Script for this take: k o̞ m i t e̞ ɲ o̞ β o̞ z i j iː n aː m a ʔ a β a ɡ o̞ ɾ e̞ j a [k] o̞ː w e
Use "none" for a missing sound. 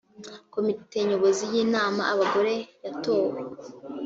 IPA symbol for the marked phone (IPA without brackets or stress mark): t